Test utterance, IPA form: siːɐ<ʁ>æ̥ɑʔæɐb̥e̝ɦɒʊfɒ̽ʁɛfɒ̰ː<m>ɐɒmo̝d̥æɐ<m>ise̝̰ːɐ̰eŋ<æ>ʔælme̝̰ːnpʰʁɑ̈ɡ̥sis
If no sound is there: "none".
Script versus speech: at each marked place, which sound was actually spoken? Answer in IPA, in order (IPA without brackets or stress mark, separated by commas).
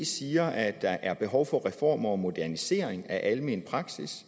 none, m, n, æ